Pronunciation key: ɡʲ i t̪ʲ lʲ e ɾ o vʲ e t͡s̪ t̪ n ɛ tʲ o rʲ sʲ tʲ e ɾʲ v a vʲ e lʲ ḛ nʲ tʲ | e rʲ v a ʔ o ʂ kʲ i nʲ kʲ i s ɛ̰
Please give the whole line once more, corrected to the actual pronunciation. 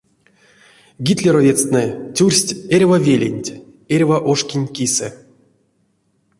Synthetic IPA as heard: ɡʲ i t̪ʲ lʲ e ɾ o vʲ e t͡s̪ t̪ n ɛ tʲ u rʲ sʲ tʲ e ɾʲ v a vʲ e lʲ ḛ nʲ tʲ | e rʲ v a ʔ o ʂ kʲ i nʲ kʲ i s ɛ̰